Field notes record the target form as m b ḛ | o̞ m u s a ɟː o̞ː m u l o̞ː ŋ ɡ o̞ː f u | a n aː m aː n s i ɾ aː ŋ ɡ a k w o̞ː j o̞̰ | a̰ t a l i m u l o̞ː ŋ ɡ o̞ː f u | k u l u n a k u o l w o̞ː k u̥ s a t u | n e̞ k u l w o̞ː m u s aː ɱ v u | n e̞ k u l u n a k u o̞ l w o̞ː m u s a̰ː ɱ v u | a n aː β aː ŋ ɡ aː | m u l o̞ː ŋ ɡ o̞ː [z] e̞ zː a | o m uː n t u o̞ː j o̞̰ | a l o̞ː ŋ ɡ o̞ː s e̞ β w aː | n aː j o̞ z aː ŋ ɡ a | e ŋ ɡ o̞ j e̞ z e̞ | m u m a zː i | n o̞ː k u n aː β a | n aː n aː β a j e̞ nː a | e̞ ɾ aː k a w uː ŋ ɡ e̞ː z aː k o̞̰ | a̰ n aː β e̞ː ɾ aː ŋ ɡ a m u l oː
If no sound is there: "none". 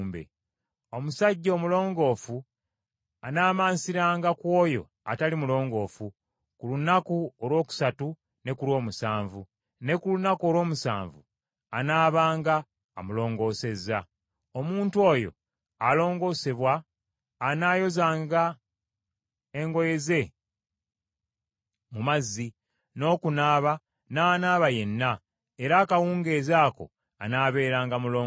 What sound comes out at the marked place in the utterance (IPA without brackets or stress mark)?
s